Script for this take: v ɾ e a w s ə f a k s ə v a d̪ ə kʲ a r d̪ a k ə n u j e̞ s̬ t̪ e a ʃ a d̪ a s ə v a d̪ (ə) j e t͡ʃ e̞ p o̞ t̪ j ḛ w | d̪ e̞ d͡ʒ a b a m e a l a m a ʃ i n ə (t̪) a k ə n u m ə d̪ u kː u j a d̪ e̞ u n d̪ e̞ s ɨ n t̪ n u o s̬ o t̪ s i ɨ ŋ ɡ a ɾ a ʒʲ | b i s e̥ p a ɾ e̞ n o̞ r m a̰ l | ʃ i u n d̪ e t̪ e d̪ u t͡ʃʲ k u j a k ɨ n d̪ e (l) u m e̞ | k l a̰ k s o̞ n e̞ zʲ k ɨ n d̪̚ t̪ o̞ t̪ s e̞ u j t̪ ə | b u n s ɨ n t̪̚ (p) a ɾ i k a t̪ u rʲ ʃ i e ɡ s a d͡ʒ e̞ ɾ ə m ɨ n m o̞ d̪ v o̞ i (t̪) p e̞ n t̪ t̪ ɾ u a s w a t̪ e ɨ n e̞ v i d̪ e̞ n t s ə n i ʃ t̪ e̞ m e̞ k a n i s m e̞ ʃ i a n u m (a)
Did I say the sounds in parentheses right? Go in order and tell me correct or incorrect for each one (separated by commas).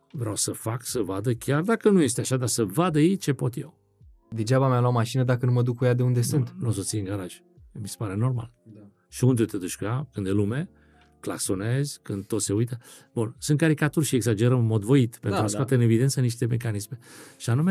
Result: correct, incorrect, correct, incorrect, correct, incorrect